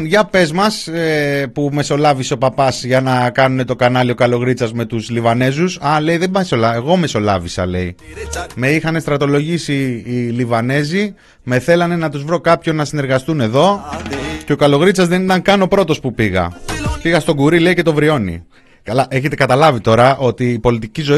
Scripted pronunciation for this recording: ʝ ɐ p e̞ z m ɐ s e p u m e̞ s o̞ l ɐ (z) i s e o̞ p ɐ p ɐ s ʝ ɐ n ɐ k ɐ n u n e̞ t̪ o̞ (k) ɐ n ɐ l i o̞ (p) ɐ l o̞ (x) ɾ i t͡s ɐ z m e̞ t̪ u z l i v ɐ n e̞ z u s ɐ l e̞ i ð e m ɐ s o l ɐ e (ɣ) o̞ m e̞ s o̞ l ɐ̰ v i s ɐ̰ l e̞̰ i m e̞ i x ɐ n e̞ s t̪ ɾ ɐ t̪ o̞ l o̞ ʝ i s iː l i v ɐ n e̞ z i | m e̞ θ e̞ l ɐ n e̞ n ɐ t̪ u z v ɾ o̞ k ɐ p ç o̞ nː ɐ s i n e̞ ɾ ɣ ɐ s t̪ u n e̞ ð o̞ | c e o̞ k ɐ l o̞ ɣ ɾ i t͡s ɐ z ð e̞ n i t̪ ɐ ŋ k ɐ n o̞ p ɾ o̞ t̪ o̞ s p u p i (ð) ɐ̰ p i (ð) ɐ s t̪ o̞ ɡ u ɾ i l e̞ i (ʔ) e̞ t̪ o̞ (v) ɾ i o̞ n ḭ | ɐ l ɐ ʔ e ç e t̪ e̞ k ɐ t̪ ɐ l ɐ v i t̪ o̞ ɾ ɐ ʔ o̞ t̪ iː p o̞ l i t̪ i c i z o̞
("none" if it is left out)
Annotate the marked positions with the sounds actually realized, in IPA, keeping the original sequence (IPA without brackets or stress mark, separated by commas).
v, k, k, ɣ, ɣ, ɣ, ɣ, c, v